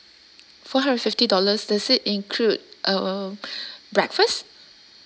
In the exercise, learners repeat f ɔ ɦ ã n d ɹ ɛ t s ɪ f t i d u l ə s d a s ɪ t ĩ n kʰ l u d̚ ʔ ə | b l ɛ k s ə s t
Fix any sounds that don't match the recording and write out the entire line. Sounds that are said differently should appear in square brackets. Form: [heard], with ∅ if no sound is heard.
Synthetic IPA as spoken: f ɔ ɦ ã n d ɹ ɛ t [f] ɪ f t i d [ɔ] l ə s d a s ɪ t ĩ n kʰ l u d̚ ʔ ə | b [ɹ] ɛ k [f] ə s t